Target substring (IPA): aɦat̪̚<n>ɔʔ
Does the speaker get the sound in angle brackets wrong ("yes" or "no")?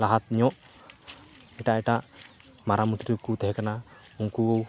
yes